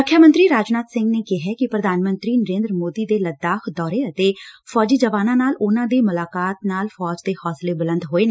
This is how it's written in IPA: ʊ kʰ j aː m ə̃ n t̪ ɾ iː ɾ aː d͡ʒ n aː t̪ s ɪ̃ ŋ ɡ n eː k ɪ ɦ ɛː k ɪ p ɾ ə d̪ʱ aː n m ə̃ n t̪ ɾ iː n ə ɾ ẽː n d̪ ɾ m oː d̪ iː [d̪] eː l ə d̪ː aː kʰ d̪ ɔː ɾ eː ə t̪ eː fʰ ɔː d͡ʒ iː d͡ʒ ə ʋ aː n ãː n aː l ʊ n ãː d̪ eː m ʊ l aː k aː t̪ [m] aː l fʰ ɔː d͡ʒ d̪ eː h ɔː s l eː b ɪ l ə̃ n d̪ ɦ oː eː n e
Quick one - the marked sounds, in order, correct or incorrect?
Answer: correct, incorrect

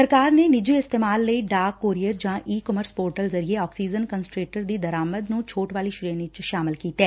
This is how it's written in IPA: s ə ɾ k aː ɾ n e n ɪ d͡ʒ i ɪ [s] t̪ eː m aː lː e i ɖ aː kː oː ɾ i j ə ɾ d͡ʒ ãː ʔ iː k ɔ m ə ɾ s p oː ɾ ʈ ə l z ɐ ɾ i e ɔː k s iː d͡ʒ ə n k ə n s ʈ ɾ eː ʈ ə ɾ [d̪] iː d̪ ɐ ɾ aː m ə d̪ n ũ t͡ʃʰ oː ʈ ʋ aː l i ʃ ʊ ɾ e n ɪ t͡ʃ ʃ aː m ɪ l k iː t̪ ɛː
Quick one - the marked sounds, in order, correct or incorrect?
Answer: correct, correct

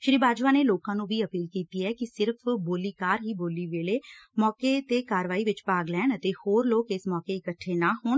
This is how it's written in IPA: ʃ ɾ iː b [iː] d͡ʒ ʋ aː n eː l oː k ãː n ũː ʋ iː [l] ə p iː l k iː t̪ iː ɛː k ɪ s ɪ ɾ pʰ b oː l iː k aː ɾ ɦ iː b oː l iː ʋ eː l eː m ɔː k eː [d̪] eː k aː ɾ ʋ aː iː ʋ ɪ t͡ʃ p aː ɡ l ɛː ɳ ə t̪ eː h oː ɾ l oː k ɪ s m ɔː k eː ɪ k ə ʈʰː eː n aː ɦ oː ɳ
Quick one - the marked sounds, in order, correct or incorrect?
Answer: incorrect, incorrect, incorrect

